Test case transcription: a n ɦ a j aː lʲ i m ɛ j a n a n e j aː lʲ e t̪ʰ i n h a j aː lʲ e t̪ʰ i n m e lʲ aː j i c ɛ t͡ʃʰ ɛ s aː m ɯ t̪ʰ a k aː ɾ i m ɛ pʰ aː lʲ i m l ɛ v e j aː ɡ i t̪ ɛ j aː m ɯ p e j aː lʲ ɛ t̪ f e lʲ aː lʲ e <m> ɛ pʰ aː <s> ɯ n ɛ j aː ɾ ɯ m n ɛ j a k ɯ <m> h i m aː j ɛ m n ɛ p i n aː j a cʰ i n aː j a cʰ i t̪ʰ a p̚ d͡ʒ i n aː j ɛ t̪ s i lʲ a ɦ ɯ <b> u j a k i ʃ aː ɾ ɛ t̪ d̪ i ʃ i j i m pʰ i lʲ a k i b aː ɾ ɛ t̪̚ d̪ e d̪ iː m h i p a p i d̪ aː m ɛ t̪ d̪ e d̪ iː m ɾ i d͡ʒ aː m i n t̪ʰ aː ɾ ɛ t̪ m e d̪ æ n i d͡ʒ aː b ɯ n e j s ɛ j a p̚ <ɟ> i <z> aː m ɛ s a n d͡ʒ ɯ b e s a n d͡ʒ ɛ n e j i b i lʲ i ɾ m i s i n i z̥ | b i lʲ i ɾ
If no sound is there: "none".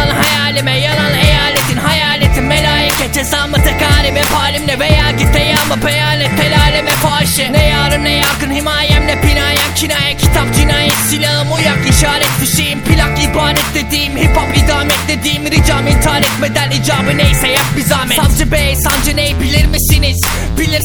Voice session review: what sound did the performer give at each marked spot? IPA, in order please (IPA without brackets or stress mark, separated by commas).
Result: m, ʃ, n, m, b, z